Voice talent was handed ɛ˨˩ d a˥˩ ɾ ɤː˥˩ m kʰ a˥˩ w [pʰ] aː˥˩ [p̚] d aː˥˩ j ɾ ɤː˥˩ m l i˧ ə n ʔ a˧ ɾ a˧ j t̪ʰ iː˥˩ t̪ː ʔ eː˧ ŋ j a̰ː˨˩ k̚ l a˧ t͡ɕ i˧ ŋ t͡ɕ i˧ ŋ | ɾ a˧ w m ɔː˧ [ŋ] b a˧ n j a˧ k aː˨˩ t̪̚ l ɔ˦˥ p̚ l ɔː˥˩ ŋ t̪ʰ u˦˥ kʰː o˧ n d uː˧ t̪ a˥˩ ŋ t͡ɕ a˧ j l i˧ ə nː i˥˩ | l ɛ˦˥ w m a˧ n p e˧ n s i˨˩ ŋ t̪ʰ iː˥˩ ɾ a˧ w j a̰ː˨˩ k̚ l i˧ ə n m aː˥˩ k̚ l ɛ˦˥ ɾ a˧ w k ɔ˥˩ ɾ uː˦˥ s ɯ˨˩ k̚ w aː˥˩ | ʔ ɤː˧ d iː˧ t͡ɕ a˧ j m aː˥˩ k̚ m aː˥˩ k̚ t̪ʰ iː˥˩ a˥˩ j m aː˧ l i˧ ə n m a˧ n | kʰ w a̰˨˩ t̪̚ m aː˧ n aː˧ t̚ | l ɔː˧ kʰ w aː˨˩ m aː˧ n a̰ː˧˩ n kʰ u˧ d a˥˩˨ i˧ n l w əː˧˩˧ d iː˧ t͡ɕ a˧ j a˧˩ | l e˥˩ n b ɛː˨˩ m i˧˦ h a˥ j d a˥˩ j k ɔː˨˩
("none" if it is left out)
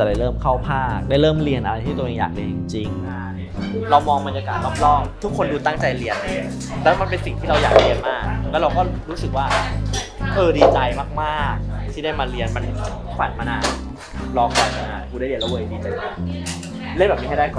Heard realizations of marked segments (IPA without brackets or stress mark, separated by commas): pʰ, k̚, ŋ